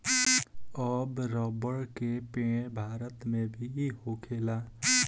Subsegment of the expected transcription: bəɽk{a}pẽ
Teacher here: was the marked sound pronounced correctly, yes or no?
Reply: no